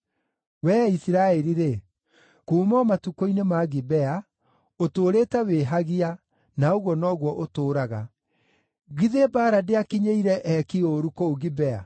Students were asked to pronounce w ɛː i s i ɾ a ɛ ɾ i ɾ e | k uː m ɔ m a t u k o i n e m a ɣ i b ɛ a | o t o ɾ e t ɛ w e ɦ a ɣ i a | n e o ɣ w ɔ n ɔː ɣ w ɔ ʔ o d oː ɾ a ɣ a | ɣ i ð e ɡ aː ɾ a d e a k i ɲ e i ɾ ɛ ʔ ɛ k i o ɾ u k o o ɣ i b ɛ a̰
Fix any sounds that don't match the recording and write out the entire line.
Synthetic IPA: w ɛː i s i ɾ a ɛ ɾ i ɾ e | k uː m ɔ m a t u k o i n e m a ɣ i b ɛ a | o t o ɾ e t ɛ w e ɦ a ɣ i a | n a o ɣ w ɔ n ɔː ɣ w ɔ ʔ o t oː ɾ a ɣ a | ɣ i ð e b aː ɾ a d e a k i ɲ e i ɾ ɛ ʔ ɛ k i o ɾ u k o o ɣ i b ɛ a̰

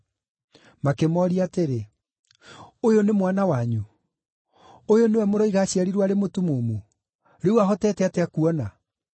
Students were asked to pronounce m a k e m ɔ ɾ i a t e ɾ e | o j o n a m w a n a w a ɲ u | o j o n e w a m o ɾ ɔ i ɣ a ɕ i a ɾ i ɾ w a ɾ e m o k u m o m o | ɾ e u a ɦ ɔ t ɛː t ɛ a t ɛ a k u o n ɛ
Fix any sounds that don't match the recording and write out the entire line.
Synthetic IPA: m a k e m ɔ ɾ i a t e ɾ e | o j o n e m w a n a w a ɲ u | o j o n e w ɛ m o ɾ ɔ i ɣ a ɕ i a ɾ i ɾ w a ɾ e m o t u m o m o | ɾ e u a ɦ ɔ t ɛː t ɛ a t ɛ a k u ɔ n a

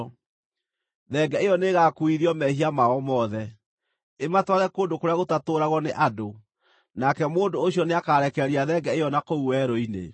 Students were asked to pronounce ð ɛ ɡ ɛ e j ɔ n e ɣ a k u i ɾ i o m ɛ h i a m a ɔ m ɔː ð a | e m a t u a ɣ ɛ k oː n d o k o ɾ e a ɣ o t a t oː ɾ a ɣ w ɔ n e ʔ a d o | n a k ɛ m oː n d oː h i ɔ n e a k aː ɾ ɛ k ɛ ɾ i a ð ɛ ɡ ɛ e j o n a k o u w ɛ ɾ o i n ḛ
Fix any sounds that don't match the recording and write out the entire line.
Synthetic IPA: ð ɛ ɡ ɛ e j ɔ n e ɣ a k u i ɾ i ɔ m ɛ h i a m a ɔ m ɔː ð ɛ | e m a t w a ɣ ɛ k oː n d o k o ɾ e a ɣ o t a t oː ɾ a ɣ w ɔ n e ʔ a d o | n a k ɛ m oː n d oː ɕ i ɔ n e a k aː ɾ ɛ k ɛ ɾ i a ð ɛ ɡ ɛ e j ɔ n a k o u w ɛ ɾ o i n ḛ

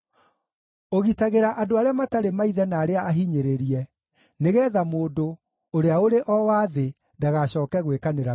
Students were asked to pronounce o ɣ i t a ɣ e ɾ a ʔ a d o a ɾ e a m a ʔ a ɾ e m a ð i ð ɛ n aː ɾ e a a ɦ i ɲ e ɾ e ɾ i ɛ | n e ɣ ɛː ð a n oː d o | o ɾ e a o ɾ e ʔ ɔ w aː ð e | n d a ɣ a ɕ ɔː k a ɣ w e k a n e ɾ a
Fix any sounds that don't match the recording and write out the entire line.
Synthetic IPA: o ɣ i t a ɣ e ɾ a ʔ a d o a ɾ e a m a t a ɾ e m a i ð ɛ n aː ɾ e a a ɦ i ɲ e ɾ e ɾ i ɛ | n e ɣ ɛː ð a m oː d o | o ɾ e a o ɾ e ʔ ɔ w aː ð e | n d a ɣ a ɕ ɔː k ɛ ɣ w e k a n e ɾ a

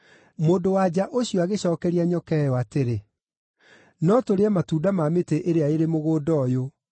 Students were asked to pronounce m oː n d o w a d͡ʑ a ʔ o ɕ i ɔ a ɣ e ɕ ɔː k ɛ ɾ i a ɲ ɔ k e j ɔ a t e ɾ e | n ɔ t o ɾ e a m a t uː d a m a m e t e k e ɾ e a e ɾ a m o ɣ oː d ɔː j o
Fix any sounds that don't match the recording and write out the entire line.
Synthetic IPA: m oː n d o w a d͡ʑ a ʔ o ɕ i ɔ a ɣ e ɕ ɔː k ɛ ɾ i a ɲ ɔ k ɛ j ɔ a t e ɾ e | n ɔ t o ɾ e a m a t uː d a m a m e t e ʔ e ɾ e a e ɾ e m o ɣ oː d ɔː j o

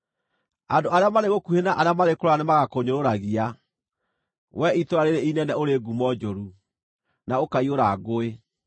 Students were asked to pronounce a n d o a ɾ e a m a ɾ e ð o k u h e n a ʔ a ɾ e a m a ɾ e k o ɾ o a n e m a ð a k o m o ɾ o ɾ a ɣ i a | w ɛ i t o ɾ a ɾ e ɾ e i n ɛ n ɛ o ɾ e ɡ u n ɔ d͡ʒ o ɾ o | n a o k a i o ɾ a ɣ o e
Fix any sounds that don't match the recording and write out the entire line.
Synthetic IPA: a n d o a ɾ e a m a ɾ e ɣ o k u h e n a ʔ a ɾ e a m a ɾ e k o ɾ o a n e m a ɣ a k o ɲ o ɾ o ɾ a ɣ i a | w ɛ i t o ɾ a ɾ e ɾ e i n ɛ n ɛ o ɾ e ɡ u m ɔ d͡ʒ o ɾ u | n a o k a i o ɾ a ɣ o e

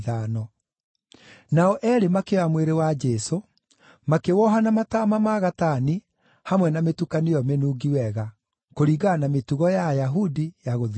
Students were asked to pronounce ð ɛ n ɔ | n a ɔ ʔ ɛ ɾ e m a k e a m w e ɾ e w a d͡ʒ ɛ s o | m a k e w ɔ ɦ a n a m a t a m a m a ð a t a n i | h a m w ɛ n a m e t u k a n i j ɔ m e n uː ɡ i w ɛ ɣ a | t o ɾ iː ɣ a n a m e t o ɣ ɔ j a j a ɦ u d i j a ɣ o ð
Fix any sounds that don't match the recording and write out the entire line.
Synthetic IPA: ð a n ɔ | n a ɔ ʔ ɛ ɾ e m a k e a m w e ɾ e w a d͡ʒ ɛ s o | m a k e w ɔ ɦ a n a m a t a m a m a ɣ a t a n i | h a m w ɛ n a m e t u k a n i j ɔ m e n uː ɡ i w ɛ ɣ a | k o ɾ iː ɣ a n a m e t u ɣ ɔ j a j a ɦ u d i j a ɣ o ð

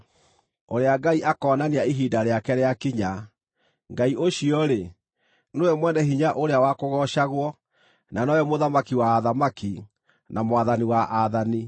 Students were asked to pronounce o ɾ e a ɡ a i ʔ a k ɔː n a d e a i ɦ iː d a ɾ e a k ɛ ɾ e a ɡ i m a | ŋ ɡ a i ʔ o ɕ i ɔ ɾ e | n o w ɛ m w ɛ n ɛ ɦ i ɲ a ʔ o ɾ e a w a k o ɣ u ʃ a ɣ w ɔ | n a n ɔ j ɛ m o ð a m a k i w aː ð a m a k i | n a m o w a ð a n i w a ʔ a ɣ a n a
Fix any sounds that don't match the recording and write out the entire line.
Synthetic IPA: o ɾ e a ɡ a i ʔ a k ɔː n a n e a i ɦ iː d a ɾ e a k ɛ ɾ e a k i ɲ a | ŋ ɡ a i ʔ o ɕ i ɔ ɾ e | n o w ɛ m w ɛ n ɛ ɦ i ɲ a ʔ o ɾ e a w a k o ɣ ɔ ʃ a ɣ w ɔ | n a n ɔ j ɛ m o ð a m a k i w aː ð a m a k i | n a m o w a ð a n i w a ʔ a ð a n i

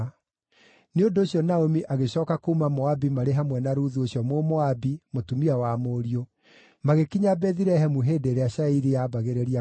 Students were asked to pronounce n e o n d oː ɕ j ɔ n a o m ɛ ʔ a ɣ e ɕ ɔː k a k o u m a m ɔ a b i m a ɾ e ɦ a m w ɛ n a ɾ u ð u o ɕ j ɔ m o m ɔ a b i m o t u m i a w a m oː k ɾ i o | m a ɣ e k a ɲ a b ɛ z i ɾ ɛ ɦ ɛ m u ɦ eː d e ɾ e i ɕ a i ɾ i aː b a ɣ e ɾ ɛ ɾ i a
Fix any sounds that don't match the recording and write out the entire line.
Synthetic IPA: n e o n d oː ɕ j ɔ n a o m i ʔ a ɣ e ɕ ɔː k a k o u m a m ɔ a b i m a ɾ e ɦ a m w ɛ n a ɾ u ð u o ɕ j ɔ m o m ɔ a b i m o t u m i a w a m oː ɾ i o | m a ɣ e k i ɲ a b ɛ ð i ɾ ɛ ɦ ɛ m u ɦ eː d e ɾ e a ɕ a i ɾ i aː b a ɣ e ɾ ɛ ɾ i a

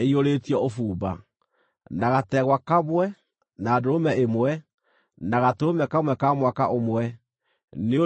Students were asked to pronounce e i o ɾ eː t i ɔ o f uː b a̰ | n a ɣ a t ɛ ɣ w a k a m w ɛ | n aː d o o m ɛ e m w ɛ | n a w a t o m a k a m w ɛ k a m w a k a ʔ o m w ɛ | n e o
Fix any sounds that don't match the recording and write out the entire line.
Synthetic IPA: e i o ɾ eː t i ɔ o f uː b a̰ | n a ɣ a t ɛ ɣ w a k a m w ɛ | n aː d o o m ɛ e m w ɛ | n a ɣ a t o m ɛ k a m w ɛ k a m w a k a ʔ o m w ɛ | n e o

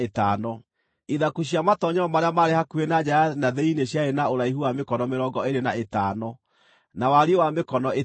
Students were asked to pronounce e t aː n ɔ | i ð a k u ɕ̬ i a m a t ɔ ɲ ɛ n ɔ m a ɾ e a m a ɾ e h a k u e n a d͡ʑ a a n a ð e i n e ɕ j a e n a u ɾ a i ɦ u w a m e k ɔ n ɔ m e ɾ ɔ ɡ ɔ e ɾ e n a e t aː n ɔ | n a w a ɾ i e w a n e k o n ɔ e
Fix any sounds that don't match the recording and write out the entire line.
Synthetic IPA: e t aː n ɔ | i ð a k u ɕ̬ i a m a t ɔ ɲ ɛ ɔ m a ɾ e a m a ɾ e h a k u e n a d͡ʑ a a n a ð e i n e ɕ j a e n a o ɾ a i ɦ u w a m e k ɔ n ɔ m e ɾ ɔ ɡ ɔ e ɾ e n a e t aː n ɔ | n a w a ɾ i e w a m e k ɔ n ɔ e

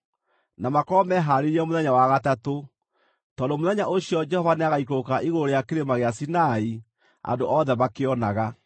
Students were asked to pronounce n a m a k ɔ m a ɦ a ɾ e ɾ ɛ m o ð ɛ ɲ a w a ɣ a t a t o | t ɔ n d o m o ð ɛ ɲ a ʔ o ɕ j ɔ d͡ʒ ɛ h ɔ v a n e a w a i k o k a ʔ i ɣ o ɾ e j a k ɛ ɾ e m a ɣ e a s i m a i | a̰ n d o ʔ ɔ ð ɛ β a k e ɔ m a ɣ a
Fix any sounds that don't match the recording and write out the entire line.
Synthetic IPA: n a m a k ɔ m ɛ ɦ a ɾ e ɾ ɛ m o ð ɛ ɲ a w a ɣ a t a t o | t ɔ n d o m o ð ɛ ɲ a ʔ o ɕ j ɔ d͡ʒ ɛ h ɔ v a n e a ɣ a i k o k a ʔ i ɣ o ɾ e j a k e ɾ e m a ɣ e a s i n a i | a̰ n d o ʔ ɔ ð ɛ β a k e ɔ n a ɣ a

